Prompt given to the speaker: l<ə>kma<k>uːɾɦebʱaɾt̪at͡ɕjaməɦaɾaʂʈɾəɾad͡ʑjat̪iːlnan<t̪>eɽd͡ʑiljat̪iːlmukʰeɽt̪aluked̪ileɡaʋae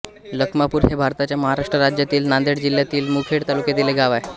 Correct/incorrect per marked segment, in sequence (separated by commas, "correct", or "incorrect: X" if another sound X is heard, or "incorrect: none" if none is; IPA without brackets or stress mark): correct, incorrect: p, incorrect: d̪